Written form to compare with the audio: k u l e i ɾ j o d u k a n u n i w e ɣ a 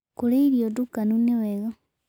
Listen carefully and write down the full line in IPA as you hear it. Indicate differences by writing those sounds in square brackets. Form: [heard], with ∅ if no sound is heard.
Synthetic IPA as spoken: k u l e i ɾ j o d u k a n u n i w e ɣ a